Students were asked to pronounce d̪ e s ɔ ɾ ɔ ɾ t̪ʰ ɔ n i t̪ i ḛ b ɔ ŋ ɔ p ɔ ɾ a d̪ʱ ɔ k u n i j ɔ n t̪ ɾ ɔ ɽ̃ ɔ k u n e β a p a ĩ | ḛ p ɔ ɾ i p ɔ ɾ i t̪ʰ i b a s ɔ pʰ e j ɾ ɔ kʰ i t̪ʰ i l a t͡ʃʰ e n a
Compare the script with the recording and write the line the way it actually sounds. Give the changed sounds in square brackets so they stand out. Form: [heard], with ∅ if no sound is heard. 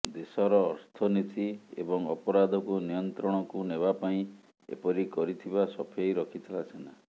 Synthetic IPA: d̪ e s ɔ ɾ [ɔː] ɾ t̪ʰ ɔ n i t̪ i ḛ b ɔ ŋ ɔ p ɔ ɾ a d̪ʱ ɔ k u n i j ɔ n t̪ ɾ ɔ ɽ̃ ɔ k u n e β a p a ĩ | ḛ p ɔ ɾ i [k] ɔ ɾ i t̪ʰ i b a s ɔ pʰ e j ɾ ɔ kʰ i t̪ʰ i l a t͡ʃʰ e n a